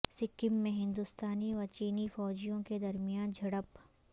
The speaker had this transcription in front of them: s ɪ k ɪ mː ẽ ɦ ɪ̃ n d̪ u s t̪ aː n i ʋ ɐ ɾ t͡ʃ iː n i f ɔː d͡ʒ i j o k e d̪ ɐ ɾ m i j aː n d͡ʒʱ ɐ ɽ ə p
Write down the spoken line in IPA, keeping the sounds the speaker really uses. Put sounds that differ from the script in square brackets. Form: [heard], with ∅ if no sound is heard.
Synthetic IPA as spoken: s ɪ k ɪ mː ẽ ɦ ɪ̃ n d̪ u s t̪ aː n i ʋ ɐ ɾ t͡ʃ iː n i f ɔː d͡ʒ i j [õ] k e d̪ ɐ ɾ m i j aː n d͡ʒʱ ɐ ɽ ə p